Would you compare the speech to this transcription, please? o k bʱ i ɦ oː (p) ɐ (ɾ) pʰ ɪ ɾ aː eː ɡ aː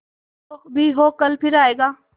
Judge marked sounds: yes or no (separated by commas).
no, no